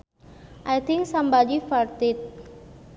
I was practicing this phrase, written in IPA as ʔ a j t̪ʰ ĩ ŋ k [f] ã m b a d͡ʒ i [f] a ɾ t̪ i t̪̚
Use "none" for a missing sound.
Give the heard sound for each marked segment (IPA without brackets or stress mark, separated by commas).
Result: s, f